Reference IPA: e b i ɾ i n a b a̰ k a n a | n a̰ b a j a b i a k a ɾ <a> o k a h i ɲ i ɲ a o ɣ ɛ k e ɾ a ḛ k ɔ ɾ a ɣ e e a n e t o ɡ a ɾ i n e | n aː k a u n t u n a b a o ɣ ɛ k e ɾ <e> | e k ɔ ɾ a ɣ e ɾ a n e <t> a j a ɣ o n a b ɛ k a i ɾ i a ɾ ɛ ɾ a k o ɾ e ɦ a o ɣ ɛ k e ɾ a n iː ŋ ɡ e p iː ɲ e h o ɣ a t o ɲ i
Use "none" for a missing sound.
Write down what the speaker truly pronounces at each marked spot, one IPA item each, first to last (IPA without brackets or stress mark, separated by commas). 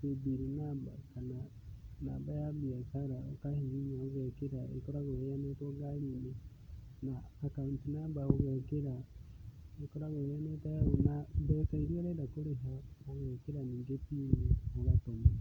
a, a, t